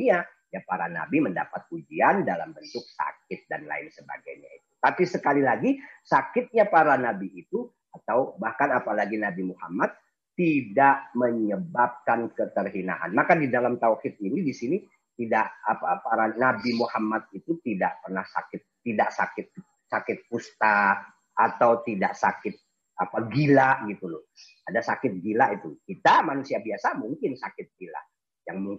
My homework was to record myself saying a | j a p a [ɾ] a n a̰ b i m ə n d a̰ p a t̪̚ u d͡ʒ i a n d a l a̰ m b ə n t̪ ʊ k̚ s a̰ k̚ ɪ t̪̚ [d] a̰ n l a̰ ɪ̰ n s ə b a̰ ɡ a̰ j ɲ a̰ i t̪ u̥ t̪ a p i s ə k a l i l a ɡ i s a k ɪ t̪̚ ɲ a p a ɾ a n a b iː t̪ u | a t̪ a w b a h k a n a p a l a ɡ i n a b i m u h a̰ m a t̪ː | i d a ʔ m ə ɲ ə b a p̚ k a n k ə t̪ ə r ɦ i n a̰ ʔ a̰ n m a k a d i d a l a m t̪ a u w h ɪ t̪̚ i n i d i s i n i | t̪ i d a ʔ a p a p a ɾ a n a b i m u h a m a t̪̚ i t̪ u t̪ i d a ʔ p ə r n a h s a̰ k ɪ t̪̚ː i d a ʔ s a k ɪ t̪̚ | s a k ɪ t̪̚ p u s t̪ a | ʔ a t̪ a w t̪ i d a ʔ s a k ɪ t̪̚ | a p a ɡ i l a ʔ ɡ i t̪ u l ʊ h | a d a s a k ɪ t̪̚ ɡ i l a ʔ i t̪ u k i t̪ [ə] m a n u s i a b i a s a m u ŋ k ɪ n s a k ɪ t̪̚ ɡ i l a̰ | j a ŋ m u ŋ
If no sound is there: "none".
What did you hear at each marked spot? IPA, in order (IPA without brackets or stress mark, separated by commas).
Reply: ɾ, d, a